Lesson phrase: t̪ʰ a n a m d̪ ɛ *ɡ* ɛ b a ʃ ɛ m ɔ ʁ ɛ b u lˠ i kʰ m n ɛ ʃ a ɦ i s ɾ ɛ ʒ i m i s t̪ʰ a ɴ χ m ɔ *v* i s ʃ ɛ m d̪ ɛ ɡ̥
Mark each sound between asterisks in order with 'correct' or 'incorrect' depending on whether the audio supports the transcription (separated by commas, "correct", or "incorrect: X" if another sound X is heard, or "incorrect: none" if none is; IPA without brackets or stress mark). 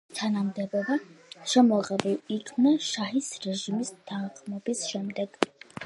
incorrect: b, incorrect: b